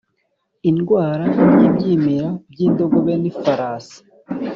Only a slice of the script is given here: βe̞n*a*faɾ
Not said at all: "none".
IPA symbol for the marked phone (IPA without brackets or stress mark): i